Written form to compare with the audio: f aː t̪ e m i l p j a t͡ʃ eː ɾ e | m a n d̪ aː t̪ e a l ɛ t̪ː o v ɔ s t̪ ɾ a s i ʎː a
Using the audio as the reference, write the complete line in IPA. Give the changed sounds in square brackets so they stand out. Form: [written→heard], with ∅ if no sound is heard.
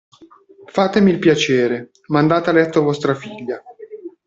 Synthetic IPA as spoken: f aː t̪ e m i l p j a t͡ʃ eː ɾ e | m a n d̪ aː t̪ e a l ɛ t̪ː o v ɔ s t̪ ɾ a [s→f] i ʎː a